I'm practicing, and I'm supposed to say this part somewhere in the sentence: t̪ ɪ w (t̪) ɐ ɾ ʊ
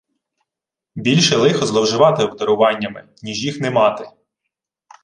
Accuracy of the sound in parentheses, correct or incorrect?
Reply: incorrect